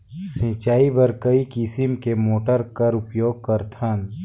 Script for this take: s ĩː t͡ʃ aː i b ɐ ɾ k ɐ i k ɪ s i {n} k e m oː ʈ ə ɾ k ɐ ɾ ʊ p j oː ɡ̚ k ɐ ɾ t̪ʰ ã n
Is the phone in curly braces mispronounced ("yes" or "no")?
yes